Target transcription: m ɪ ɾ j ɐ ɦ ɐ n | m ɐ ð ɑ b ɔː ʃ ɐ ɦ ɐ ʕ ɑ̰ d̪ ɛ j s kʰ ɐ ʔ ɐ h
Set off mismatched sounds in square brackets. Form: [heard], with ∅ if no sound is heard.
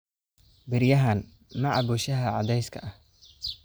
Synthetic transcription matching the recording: [b] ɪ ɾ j ɐ ɦ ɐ n | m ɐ [ʕ] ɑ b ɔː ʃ ɐ ɦ ɐ ʕ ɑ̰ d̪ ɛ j s kʰ ɐ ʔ ɐ h

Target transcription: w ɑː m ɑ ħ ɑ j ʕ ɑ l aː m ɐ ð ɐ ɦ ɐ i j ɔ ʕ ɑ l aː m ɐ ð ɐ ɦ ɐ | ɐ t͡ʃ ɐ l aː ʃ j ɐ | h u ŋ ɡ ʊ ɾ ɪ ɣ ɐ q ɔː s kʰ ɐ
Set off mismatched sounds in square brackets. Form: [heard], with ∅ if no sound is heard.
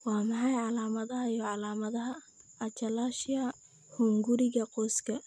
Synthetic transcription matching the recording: w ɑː m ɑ ħ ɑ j ʕ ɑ l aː m ɐ ð ɐ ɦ ɐ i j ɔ ʕ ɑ l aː m ɐ ð ɐ ɦ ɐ | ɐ t͡ʃ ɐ l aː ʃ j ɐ | h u ŋ ɡ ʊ ɾ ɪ ɣ ɐ q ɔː s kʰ ɐ

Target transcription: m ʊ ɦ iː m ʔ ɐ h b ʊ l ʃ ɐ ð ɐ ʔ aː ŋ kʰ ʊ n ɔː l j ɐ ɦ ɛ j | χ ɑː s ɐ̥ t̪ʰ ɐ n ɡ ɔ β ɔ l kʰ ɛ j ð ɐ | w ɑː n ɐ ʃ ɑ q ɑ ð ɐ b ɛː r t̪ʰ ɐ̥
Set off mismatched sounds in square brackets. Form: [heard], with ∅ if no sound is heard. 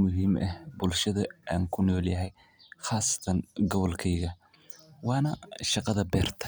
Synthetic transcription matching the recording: m ʊ ɦ iː m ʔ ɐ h b ʊ l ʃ ɐ ð ɐ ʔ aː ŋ kʰ ʊ n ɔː l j ɐ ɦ ɛ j | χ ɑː s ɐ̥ t̪ʰ ɐ n ɡ ɔ β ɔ l kʰ ɛ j [ɣ] ɐ | w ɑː n ɐ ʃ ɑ q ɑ ð ɐ b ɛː r t̪ʰ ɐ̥

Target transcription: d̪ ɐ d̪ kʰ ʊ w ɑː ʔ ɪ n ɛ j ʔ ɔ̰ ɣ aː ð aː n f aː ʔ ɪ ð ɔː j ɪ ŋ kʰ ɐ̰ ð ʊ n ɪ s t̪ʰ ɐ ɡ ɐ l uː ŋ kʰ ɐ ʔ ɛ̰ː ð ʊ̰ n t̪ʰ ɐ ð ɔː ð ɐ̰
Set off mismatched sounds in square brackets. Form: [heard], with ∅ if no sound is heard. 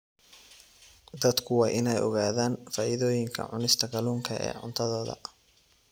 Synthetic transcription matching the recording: d̪ ɐ d̪ kʰ ʊ w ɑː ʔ ɪ n ɛ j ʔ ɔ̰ ɣ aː ð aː n f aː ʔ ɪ ð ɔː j ɪ ŋ kʰ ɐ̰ [ʕ] ʊ n ɪ s t̪ʰ ɐ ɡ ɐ l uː ŋ kʰ ɐ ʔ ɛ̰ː [ʕ] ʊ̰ n t̪ʰ ɐ ð ɔː ð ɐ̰

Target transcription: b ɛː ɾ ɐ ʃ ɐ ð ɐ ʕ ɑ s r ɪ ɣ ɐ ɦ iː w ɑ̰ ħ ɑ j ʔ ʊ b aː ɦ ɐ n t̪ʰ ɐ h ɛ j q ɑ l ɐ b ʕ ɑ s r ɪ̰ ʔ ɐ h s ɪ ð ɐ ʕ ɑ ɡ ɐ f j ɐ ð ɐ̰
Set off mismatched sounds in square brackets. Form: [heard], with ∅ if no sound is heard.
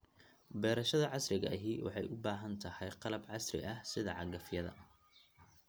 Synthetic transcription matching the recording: b ɛː ɾ ɐ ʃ ɐ ð ɐ ʕ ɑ s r ɪ ɣ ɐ ɦ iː w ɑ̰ ħ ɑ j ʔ ʊ b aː ɦ ɐ n t̪ʰ ɐ h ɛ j q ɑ l ɐ b ʕ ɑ s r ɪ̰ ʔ ɐ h s ɪ ð ɐ ʕ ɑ ɡ ɐ f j ɐ ð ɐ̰

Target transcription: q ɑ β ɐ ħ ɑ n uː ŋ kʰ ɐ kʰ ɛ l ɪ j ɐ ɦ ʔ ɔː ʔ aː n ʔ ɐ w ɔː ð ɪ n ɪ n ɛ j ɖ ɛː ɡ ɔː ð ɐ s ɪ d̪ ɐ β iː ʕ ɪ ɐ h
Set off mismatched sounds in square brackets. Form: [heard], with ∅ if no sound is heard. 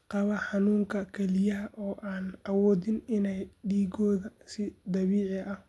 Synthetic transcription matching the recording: q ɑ β ɐ ħ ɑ n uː ŋ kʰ ɐ kʰ ɛ l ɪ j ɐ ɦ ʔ ɔː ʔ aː n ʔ ɐ w ɔː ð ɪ n ɪ n ɛ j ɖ [iː] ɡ ɔː ð ɐ s ɪ d̪ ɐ β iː ʕ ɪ ɐ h

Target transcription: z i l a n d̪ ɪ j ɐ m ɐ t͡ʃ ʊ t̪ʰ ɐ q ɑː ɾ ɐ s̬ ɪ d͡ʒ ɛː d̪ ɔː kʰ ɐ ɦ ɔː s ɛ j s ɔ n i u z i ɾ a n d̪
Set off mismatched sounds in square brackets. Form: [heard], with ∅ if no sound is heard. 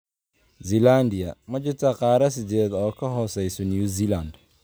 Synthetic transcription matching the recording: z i l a n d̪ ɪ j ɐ m ɐ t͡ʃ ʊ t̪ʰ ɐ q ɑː ɾ ɐ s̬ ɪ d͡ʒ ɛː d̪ ɔː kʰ ɐ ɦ ɔː s ɛ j s ɔ n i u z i [l] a n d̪

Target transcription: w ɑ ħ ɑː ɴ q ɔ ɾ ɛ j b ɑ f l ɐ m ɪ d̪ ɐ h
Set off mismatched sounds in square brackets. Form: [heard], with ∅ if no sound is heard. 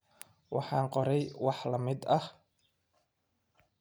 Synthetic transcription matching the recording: w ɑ ħ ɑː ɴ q ɔ ɾ ɛ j [w] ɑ [ħ] l ɐ m ɪ d̪ ɐ h

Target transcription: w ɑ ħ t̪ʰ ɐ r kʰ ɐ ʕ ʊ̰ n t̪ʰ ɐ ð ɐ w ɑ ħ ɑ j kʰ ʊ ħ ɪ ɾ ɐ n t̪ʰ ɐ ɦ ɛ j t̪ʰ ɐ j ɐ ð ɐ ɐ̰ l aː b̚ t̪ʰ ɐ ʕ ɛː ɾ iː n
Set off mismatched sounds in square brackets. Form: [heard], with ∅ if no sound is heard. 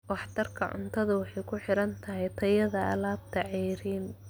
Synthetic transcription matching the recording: w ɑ ħ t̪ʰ ɐ r kʰ ɐ ʕ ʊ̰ n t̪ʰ ɐ ð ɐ w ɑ ħ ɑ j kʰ ʊ ħ ɪ ɾ ɐ n t̪ʰ ɐ ɦ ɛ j t̪ʰ ɐ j ɐ ð ɐ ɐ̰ l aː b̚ t̪ʰ ɐ ʕ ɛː ɾ iː n

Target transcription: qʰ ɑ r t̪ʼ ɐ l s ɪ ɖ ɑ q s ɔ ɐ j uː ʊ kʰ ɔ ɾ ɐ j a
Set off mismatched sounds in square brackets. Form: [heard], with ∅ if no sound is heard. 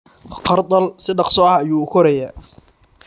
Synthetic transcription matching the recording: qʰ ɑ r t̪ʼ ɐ l s ɪ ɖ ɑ q s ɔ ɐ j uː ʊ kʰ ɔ ɾ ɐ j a

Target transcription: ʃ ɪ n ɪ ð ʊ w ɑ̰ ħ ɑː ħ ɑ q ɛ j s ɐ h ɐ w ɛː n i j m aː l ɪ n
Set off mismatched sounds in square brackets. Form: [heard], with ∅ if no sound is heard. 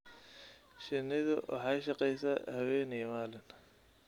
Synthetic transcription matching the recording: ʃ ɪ n ɪ ð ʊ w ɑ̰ ħ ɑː [ʃ] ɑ q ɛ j s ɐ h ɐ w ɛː n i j m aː l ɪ n

